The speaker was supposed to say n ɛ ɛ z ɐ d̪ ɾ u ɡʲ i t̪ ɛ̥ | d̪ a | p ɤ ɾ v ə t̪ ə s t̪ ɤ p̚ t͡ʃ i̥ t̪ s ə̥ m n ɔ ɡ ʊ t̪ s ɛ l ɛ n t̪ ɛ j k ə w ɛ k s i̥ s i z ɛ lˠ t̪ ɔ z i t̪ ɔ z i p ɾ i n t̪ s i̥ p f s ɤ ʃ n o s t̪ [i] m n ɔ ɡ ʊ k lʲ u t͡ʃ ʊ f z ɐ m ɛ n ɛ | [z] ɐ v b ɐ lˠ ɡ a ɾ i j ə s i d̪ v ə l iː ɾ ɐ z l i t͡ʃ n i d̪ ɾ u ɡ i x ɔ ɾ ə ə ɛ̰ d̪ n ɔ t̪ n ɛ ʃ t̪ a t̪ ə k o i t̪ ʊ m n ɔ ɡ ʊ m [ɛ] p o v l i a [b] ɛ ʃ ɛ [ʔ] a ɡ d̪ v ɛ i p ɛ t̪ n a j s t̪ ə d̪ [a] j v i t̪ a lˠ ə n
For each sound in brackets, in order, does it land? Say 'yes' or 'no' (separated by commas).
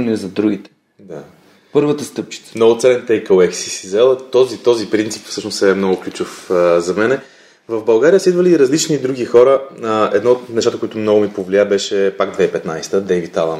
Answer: no, no, no, yes, no, no